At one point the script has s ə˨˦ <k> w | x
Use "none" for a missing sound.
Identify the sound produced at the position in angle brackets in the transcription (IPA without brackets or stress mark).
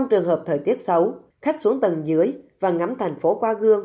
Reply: none